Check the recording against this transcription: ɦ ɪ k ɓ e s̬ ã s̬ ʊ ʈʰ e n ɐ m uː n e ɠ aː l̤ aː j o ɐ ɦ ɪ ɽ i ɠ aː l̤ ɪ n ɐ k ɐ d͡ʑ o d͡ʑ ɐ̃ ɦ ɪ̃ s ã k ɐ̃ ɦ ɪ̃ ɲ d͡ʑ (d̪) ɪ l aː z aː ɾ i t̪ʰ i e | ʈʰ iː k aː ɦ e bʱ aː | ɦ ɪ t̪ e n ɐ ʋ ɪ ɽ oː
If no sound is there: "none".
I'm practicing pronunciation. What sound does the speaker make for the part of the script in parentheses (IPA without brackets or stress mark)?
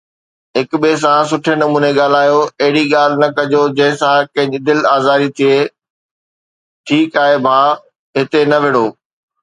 d̪